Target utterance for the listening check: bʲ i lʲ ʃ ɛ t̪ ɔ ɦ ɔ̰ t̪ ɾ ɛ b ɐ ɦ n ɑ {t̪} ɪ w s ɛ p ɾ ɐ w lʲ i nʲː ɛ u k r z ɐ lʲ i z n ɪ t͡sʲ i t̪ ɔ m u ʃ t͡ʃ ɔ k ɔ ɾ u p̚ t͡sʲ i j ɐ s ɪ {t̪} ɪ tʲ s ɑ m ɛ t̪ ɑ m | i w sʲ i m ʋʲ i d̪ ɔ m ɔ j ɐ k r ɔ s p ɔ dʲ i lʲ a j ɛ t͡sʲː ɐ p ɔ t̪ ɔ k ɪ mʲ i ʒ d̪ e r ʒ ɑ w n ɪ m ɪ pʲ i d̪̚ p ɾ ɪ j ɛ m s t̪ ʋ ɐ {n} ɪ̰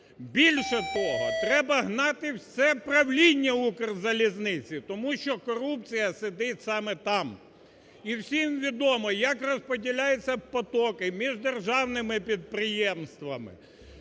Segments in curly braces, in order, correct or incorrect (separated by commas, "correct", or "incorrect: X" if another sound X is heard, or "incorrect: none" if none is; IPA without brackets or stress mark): correct, incorrect: d̪, incorrect: m